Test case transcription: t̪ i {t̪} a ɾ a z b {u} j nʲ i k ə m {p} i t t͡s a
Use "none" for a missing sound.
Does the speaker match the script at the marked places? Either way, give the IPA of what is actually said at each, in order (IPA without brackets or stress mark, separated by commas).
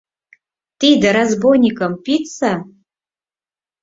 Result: d̪, o, p